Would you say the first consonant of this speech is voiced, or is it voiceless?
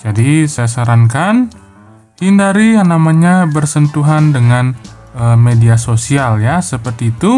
voiced